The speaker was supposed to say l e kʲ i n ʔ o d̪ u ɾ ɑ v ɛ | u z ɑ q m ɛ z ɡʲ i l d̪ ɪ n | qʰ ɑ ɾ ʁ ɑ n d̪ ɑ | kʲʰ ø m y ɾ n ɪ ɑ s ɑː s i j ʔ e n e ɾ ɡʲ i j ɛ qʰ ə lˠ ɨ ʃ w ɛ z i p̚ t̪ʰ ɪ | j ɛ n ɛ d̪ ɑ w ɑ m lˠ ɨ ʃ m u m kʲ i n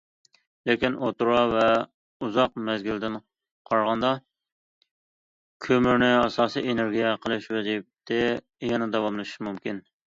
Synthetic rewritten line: l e kʲ i n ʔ o t̪ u ɾ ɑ v ɛ | u z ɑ q m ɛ z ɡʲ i l d̪ ɪ n | qʰ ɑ ɾ ʁ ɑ n d̪ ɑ | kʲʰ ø m y ɾ n ɪ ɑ s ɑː s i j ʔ e n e ɾ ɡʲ i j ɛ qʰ ə lˠ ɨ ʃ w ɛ z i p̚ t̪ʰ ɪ | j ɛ n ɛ d̪ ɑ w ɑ m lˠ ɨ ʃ m u m kʲ i n